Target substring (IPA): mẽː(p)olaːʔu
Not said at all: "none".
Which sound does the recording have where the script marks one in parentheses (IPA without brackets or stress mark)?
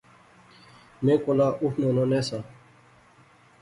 k